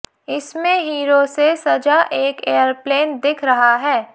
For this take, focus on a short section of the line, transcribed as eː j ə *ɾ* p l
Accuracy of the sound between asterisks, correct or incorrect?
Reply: correct